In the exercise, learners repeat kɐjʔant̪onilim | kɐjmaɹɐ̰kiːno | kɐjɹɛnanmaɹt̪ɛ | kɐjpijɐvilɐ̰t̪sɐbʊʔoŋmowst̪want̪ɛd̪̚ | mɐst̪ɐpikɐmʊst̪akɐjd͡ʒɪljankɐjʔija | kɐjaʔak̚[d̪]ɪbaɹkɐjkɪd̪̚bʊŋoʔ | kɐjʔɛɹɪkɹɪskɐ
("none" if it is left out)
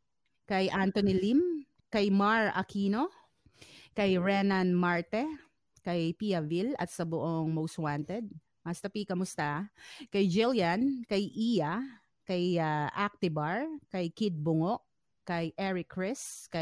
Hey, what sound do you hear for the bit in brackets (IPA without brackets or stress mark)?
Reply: t̪